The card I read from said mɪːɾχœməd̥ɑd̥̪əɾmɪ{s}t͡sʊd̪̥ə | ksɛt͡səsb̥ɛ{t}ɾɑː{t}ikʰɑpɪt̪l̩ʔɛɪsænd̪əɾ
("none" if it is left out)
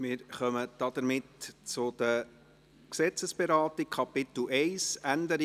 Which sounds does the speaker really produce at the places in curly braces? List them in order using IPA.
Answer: t, none, t

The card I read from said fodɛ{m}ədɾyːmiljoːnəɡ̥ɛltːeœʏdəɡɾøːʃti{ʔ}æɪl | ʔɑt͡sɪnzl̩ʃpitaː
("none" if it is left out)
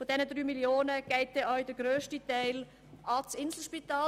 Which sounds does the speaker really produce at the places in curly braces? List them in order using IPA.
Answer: n, t

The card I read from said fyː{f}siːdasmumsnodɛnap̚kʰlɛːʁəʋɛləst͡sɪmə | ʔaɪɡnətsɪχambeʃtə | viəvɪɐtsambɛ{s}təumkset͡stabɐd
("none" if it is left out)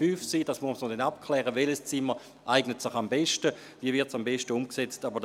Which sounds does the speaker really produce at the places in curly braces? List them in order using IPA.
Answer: f, ʃ

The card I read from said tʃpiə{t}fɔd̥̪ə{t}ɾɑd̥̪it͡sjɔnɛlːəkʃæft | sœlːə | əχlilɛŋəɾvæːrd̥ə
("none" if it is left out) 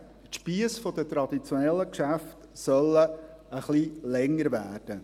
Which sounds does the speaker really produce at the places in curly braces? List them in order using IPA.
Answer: s, t

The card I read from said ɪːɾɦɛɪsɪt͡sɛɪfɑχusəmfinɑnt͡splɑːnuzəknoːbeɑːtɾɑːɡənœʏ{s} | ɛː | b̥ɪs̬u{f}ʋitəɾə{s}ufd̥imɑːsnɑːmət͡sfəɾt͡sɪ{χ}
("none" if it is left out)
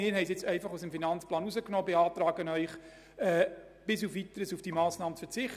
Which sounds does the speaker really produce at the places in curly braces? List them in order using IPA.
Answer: χ, f, s, χ

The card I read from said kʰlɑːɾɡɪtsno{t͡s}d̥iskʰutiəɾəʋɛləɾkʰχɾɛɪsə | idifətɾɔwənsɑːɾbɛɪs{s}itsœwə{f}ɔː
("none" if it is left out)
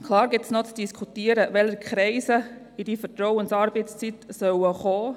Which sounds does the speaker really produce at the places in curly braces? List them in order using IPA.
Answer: t͡s, t͡s, χ

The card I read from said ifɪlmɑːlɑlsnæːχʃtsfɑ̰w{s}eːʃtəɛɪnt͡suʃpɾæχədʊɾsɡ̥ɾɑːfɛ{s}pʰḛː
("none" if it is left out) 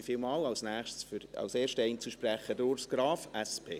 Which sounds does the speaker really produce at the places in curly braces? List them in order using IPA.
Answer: s, s

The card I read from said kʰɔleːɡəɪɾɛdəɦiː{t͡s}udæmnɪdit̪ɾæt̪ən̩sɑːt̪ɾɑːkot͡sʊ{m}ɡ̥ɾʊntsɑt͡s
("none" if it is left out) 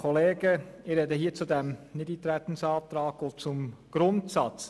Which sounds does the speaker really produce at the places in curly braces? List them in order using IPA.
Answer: t͡s, m

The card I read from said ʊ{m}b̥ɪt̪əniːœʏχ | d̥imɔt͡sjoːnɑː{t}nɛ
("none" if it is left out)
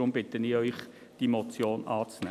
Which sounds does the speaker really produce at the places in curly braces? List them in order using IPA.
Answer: m, t͡s

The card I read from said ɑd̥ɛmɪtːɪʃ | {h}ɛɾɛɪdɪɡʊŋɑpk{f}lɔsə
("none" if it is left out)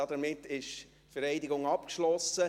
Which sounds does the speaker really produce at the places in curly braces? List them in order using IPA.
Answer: f, ʃ

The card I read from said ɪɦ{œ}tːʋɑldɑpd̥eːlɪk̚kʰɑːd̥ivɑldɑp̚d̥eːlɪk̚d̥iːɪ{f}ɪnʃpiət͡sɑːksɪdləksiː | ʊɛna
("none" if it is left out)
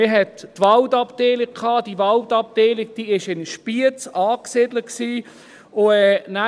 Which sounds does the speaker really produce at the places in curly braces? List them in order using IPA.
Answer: ɛ, ʃ

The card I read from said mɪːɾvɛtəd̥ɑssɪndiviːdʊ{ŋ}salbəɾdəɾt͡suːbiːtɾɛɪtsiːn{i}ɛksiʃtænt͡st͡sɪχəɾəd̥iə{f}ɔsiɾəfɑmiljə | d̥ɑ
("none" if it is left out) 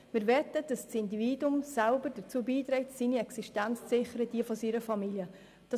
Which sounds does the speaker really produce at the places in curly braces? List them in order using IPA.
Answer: m, i, f

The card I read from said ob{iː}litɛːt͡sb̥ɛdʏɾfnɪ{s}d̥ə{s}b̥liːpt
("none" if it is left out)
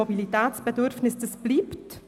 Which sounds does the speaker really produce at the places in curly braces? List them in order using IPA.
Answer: i, s, s

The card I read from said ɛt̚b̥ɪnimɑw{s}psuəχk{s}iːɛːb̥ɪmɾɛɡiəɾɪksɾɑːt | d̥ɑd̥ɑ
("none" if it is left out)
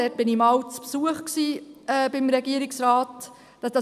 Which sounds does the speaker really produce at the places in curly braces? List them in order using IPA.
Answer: t͡s, s

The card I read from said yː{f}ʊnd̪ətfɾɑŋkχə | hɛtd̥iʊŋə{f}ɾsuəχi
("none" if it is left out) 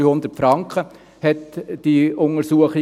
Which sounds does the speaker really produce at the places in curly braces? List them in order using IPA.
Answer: h, none

